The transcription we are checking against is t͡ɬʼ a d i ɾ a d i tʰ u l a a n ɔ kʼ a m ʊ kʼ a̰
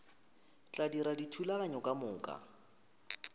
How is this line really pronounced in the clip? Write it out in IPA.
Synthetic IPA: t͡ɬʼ a d i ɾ a d i tʰ u l a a ɲ ɔ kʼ a m ʊː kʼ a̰